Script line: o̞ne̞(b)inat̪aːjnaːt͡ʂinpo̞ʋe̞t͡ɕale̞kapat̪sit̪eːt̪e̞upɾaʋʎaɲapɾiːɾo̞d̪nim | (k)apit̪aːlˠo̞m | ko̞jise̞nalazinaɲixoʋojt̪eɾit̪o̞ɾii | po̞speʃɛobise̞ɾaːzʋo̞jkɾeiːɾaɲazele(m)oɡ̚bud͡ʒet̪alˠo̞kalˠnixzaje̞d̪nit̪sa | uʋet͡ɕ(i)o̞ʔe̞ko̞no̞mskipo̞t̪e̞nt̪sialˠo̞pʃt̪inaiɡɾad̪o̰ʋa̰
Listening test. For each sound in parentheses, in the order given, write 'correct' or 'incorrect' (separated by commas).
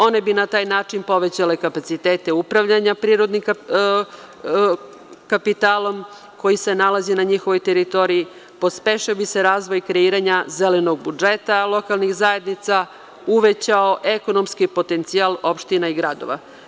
correct, correct, incorrect, incorrect